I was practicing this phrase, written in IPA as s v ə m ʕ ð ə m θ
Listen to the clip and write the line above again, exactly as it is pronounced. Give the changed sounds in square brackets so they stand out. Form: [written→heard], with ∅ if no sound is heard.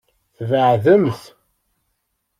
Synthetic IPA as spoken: [s→θ] v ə [m→∅] ʕ ð ə m θ